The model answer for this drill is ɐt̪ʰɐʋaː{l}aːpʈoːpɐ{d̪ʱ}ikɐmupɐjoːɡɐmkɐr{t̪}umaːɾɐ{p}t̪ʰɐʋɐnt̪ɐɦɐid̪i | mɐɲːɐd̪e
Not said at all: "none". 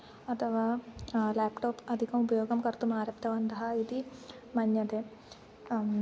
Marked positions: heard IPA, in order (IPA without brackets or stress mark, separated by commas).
l, d̪ʱ, t̪, p